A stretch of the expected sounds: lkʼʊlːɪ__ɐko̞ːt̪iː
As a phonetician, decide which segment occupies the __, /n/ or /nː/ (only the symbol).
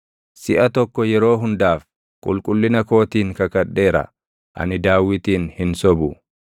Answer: n